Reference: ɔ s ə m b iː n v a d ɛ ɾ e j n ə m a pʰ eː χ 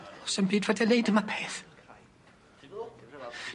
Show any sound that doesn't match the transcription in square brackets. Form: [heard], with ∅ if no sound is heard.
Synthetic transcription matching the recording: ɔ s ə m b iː [d] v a d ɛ [l] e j [d] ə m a pʰ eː [θ]